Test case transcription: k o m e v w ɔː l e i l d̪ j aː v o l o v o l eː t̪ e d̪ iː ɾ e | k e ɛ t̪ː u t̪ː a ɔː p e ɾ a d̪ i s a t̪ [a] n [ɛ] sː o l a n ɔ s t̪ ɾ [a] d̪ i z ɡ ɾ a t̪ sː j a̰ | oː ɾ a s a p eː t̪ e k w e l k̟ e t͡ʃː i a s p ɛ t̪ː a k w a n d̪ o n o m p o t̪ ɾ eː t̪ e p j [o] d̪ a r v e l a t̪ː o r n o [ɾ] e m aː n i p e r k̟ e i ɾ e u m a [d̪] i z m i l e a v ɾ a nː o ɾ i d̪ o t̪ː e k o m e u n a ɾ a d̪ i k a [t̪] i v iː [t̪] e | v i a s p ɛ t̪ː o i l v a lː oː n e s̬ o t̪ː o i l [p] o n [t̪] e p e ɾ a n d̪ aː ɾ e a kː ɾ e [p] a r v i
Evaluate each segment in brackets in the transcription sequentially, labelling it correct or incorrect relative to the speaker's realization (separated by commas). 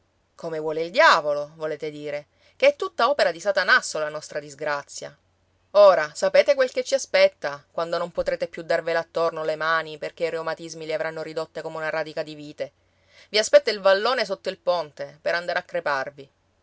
correct, incorrect, correct, incorrect, incorrect, incorrect, incorrect, correct, correct, correct, correct